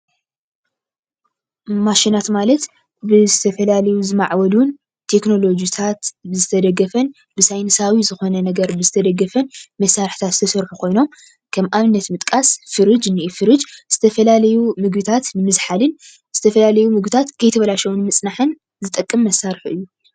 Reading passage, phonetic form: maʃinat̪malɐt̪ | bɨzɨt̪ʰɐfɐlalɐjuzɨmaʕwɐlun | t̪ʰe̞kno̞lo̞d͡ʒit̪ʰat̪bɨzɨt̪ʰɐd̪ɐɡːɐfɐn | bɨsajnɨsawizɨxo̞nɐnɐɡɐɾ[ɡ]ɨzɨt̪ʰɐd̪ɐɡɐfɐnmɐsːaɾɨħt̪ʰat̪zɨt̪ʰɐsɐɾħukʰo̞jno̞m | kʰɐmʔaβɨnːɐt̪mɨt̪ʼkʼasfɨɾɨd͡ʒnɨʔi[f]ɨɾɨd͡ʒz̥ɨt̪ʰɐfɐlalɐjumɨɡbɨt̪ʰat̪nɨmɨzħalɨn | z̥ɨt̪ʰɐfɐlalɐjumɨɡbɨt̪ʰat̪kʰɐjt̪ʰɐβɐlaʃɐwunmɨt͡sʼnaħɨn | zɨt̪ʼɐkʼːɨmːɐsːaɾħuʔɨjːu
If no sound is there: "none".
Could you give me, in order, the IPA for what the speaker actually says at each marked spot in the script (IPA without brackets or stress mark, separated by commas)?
b, f